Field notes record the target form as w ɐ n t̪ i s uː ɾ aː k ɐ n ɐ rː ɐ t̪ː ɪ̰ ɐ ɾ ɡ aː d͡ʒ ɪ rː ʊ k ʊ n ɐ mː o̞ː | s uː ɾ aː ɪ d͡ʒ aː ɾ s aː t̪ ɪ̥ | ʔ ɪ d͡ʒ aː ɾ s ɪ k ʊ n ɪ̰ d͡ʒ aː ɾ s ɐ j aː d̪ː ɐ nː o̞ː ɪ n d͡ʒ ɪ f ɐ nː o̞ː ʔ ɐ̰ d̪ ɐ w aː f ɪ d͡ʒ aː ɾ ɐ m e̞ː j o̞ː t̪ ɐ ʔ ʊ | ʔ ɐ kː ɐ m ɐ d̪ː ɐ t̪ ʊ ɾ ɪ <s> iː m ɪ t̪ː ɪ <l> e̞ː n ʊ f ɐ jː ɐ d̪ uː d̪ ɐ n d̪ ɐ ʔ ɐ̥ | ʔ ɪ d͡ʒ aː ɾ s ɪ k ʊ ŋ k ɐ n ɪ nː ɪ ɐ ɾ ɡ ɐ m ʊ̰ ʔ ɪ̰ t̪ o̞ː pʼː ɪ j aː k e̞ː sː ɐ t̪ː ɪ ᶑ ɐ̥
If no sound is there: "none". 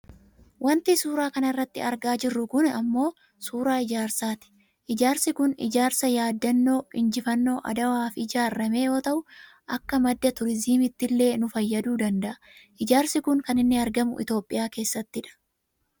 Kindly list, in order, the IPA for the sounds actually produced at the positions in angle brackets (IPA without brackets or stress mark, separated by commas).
z, lː